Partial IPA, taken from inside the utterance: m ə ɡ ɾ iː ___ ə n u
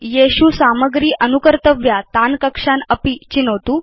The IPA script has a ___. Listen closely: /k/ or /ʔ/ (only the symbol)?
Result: ʔ